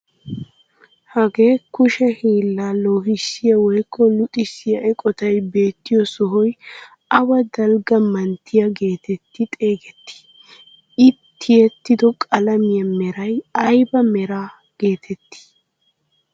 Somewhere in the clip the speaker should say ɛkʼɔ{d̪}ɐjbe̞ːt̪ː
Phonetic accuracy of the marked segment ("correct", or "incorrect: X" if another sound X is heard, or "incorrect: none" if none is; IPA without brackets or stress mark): incorrect: t̪